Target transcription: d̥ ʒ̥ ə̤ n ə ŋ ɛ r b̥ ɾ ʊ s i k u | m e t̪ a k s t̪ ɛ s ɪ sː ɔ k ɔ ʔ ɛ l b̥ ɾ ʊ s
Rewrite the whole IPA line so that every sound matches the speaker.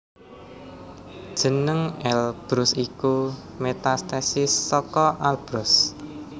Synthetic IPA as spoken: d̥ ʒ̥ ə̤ n ə ŋ ɛ l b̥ ɾ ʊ s i k u | m e t̪ a s t̪ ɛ s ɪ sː ɔ k ɔ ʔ a l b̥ ɾ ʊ s